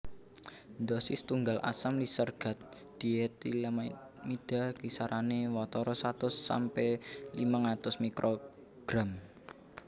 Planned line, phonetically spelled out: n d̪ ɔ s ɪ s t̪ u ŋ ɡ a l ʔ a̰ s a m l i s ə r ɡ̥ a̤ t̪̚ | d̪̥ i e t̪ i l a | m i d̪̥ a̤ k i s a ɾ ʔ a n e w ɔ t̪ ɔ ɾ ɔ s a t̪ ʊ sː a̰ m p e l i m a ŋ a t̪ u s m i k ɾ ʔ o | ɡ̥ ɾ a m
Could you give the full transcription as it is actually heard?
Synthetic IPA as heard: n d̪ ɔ s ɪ s t̪ u ŋ ɡ a l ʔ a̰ s a m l i s ə r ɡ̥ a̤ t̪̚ | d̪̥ i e t̪ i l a | m i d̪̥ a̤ k i s a ɾ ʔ a n e w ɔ t̪ ɔ ɾ ɔ s a t̪ ʊ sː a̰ m p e l i m a ŋ a t̪ ʊ s m i k ɾ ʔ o | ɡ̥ ɾ a m